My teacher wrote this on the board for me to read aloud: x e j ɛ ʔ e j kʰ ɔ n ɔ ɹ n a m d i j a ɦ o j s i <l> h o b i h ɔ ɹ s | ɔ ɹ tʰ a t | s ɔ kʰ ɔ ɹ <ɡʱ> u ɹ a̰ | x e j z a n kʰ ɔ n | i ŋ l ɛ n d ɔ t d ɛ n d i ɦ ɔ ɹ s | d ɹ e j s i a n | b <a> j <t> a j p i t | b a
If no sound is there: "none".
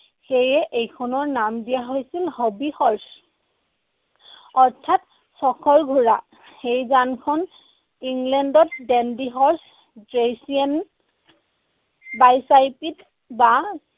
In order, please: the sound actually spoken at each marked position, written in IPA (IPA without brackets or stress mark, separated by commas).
l, ɡʱ, a, s